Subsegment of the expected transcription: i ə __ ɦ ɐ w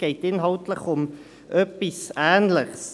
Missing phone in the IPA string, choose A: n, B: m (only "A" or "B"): A